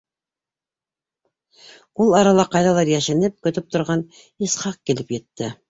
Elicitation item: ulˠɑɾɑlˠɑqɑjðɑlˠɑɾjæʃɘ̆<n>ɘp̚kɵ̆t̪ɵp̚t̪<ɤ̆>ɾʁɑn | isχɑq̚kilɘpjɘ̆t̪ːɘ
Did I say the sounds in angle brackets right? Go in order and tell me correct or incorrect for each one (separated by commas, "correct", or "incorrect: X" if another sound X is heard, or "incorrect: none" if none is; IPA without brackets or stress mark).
correct, incorrect: ŏ